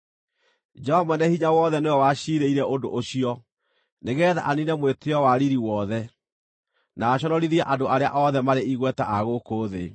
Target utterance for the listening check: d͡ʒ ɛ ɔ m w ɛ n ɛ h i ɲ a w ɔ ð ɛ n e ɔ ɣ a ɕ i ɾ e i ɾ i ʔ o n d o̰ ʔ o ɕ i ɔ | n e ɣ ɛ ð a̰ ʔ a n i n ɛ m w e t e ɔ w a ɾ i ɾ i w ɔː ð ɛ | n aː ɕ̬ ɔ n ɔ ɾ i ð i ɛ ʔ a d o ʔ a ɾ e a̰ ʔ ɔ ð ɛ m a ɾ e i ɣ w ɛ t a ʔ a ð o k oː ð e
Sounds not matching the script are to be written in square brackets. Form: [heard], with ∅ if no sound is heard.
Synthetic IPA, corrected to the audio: d͡ʒ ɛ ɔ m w ɛ n ɛ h i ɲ a w ɔ ð ɛ n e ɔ [w] a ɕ i ɾ e i ɾ [ɛ] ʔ o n d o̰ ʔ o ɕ i ɔ | n e ɣ ɛ ð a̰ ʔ a n i n ɛ m w e t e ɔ w a ɾ i ɾ i w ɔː ð ɛ | n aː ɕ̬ ɔ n ɔ ɾ i ð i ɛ ʔ a d o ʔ a ɾ e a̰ ʔ ɔ ð ɛ m a ɾ e i ɣ w ɛ t a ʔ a [ɣ] o k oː ð e